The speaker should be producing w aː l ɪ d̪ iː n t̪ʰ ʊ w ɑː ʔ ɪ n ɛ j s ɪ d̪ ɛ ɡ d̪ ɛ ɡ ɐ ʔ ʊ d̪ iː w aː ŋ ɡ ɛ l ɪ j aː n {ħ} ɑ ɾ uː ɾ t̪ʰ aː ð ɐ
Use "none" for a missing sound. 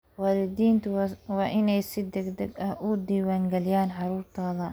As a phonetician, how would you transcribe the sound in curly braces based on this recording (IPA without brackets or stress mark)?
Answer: ħ